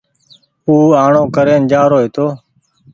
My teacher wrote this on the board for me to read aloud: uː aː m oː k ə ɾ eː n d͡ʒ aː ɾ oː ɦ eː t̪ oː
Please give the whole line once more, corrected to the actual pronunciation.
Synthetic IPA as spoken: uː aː ɳ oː k ə ɾ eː n d͡ʒ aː ɾ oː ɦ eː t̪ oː